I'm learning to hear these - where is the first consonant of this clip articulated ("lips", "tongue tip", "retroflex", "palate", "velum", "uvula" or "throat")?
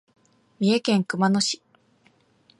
lips